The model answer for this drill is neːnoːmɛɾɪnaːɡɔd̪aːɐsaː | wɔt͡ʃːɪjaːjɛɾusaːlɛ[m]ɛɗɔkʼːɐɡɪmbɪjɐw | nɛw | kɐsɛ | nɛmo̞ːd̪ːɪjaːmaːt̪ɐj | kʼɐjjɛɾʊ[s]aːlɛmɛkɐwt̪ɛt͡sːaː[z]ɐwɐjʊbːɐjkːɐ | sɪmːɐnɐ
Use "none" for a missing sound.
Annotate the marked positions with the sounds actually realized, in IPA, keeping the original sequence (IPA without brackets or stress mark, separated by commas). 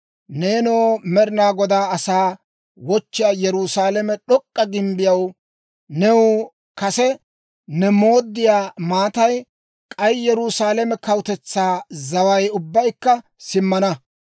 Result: m, s, z